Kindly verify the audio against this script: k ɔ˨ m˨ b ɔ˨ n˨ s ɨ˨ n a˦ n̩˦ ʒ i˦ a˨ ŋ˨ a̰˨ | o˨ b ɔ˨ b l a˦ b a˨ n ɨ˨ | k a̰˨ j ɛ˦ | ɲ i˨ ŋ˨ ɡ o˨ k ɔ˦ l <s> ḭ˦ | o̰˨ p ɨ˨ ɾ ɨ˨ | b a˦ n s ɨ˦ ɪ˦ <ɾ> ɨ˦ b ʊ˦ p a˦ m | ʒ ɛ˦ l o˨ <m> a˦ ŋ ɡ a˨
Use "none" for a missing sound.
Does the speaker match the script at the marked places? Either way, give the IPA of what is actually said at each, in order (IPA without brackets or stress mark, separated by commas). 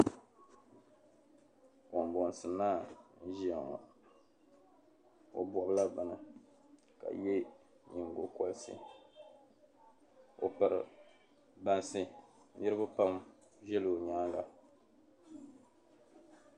s, ɾ, ɲ